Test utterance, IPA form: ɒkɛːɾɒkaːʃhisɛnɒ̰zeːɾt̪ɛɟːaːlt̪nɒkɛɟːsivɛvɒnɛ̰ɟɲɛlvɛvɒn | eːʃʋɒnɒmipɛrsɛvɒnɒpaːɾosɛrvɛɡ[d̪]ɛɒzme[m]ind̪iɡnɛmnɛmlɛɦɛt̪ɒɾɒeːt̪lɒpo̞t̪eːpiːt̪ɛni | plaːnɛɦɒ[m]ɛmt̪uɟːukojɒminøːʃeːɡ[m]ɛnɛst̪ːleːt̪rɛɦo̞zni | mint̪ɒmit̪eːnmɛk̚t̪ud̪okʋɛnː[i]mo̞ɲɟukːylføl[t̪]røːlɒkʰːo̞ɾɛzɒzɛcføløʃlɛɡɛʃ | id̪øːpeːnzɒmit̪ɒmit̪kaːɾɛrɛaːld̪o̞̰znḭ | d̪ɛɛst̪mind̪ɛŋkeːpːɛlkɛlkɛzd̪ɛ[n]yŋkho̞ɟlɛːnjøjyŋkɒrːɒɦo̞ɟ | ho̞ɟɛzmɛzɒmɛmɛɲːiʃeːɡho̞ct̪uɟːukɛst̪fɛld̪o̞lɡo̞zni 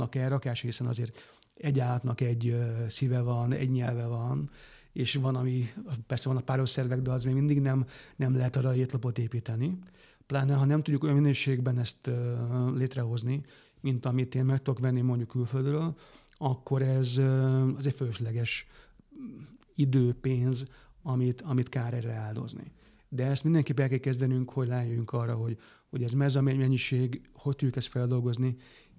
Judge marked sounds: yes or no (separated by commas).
yes, yes, no, no, yes, no, yes